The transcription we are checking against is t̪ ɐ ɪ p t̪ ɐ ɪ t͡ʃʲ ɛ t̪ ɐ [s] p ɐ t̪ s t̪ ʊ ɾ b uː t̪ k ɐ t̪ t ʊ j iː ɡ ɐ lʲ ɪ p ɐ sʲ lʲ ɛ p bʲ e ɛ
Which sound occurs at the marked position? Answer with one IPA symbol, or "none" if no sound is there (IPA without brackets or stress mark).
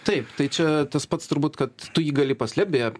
s